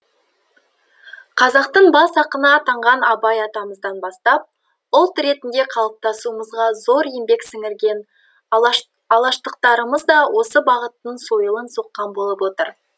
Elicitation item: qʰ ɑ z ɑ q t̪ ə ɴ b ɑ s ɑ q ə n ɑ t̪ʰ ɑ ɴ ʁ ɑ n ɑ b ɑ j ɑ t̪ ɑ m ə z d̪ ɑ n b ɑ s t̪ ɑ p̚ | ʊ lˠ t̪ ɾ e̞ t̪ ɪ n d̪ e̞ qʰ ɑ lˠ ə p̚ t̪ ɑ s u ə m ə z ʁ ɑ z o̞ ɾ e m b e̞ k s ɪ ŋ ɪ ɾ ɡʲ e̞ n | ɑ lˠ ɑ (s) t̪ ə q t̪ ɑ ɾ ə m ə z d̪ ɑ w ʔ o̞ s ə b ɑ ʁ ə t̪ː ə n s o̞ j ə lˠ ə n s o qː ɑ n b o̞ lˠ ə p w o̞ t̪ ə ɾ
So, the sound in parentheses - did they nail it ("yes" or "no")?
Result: no